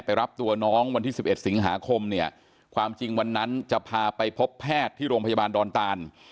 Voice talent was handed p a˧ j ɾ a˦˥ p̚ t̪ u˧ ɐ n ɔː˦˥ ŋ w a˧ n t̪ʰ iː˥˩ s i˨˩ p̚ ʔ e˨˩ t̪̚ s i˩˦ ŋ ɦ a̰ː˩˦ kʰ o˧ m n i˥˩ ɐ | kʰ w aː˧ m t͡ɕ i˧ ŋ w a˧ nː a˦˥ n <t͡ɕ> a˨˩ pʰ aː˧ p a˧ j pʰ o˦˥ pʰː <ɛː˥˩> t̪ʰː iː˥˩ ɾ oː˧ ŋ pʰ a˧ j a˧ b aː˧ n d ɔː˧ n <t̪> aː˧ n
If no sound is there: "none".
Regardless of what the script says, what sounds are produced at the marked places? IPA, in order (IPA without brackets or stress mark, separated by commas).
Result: t͡ɕ, ɛː˥˩, t̪